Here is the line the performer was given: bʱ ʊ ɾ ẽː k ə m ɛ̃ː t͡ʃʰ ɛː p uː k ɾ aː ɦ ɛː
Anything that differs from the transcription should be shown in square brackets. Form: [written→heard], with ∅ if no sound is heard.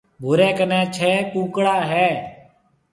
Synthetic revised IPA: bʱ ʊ ɾ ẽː k ə [m→n] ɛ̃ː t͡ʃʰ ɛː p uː k [ɾ→ɽ] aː ɦ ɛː